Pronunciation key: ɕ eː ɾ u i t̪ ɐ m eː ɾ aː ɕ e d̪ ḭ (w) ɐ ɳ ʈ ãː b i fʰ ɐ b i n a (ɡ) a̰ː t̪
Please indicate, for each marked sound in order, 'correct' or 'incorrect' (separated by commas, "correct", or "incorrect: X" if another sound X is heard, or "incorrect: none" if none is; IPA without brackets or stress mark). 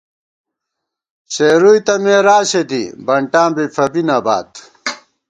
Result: incorrect: b, incorrect: b